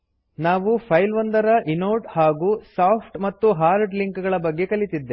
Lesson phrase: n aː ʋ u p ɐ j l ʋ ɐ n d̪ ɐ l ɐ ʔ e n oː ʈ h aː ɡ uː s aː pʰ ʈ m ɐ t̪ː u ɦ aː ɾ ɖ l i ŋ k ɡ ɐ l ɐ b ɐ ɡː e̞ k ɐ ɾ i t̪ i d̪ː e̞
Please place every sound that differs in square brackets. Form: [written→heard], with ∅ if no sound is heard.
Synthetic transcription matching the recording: n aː ʋ u [p→pʰ] ɐ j l ʋ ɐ n d̪ ɐ [l→ɾ] ɐ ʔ [e→i] n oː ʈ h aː ɡ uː s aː pʰ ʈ m ɐ t̪ː u ɦ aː ɾ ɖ l i ŋ k ɡ ɐ [l→ɭ] ɐ b ɐ ɡː e̞ k ɐ [ɾ→l] i t̪ i d̪ː e̞